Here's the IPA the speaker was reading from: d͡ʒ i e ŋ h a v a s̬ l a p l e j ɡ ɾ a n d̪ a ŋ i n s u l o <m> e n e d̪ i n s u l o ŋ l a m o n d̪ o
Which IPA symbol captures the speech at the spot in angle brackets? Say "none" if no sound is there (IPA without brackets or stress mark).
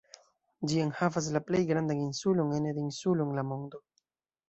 ŋ